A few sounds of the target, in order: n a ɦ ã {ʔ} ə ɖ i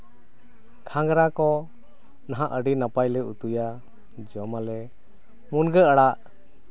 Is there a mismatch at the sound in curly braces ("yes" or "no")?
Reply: no